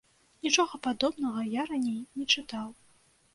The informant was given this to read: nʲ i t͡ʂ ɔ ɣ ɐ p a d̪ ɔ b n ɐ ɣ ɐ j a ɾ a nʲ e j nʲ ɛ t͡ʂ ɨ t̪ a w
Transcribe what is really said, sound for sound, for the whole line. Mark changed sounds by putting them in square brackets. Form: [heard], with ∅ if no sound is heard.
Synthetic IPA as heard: nʲ i t͡ʂ ɔ ɣ ɐ p a d̪ ɔ b n ɐ ɣ ɐ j a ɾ a nʲ e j nʲ ɛ t͡ʂ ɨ t̪ a w